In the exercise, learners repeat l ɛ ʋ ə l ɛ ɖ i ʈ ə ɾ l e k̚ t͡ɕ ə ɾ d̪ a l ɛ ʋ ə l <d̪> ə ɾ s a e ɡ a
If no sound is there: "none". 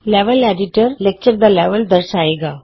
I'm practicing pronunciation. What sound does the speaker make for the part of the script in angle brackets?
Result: d̪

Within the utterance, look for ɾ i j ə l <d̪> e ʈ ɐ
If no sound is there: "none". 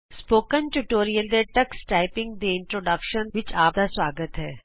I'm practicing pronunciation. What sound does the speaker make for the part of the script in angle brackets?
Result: d̪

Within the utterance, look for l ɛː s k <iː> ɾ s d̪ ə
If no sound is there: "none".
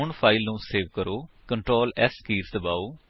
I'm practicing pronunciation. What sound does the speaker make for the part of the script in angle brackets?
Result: iː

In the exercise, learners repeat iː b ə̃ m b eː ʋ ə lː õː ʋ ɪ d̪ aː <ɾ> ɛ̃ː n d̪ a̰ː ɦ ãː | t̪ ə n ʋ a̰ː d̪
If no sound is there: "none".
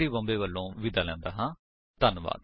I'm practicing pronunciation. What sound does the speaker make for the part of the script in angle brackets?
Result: l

